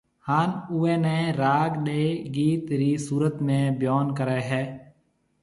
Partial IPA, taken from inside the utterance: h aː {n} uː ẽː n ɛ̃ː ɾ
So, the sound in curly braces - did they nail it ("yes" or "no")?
yes